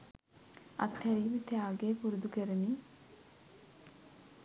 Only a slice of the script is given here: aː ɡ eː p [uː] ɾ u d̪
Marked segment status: incorrect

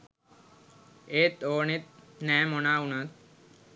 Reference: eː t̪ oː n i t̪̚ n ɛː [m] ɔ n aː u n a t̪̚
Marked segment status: correct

